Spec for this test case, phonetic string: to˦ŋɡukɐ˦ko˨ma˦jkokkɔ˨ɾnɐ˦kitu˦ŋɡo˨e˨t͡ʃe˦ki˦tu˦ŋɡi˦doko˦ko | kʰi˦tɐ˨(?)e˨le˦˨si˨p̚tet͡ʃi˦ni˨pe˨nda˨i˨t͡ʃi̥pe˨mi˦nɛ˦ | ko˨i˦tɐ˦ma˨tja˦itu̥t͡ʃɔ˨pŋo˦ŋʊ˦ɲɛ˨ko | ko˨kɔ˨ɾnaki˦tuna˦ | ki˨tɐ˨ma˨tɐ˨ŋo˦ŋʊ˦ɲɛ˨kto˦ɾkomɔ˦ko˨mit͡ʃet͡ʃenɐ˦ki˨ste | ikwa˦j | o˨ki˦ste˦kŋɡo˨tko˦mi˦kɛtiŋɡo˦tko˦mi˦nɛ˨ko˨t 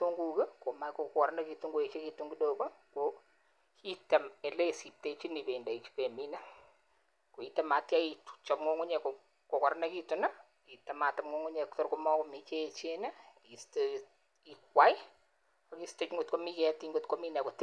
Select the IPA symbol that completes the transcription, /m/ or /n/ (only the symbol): m